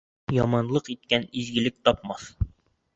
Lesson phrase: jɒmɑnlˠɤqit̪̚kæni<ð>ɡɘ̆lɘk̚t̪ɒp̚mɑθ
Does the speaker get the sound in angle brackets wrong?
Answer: yes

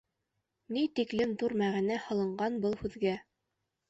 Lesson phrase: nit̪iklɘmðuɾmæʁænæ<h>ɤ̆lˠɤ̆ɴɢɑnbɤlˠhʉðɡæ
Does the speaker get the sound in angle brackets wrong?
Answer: no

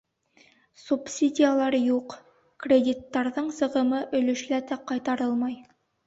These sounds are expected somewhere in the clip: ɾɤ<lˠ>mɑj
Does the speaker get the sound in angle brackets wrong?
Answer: no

